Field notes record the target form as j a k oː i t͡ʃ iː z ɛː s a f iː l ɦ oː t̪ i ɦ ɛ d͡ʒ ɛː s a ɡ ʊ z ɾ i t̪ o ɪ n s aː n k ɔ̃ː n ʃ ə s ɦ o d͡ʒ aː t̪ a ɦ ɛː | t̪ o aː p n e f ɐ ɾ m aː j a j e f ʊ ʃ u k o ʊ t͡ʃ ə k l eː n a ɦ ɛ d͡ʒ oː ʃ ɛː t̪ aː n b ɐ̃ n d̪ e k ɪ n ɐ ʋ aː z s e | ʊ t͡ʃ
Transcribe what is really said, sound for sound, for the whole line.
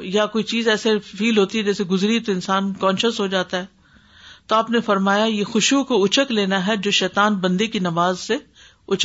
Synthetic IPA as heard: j a k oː i t͡ʃ iː z ɛː s e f iː l ɦ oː t̪ i ɦ ɛ d͡ʒ ɛː s e ɡ ʊ z ɾ i t̪ o ɪ n s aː n k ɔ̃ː n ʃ ə s ɦ o d͡ʒ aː t̪ a ɦ ɛː | t̪ o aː p n e f ɐ ɾ m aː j a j e x ʊ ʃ u k o ʊ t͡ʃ ə k l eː n a ɦ ɛ d͡ʒ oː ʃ ɛː t̪ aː n b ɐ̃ n d̪ e k i n ɐ ʋ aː z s e | ʊ t͡ʃ